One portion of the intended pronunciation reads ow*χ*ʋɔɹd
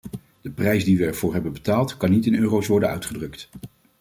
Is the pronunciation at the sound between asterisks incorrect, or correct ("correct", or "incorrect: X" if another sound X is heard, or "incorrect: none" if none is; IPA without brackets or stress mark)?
incorrect: s